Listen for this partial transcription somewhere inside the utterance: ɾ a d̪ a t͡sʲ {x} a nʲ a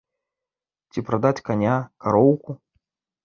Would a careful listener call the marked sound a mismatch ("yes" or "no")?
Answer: yes